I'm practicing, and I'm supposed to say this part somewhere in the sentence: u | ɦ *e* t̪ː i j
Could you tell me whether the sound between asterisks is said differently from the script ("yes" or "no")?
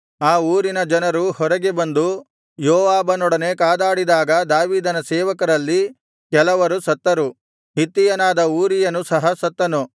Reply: yes